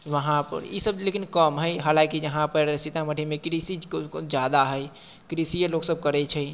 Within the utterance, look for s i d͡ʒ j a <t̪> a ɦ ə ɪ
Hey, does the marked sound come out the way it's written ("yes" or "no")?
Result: no